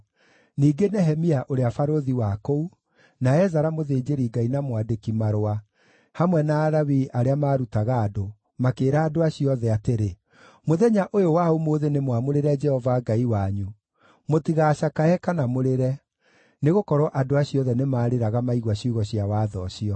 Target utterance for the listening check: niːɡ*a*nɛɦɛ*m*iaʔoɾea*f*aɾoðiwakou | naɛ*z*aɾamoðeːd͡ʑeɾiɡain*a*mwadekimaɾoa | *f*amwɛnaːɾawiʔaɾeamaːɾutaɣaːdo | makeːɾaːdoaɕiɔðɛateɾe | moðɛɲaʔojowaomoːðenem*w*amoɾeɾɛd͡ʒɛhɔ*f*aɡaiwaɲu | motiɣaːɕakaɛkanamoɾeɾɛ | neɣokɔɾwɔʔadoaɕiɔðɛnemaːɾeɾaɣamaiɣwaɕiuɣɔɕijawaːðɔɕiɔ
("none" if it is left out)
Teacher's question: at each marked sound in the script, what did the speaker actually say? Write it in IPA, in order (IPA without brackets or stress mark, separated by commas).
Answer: e, m, f, z, a, h, w, v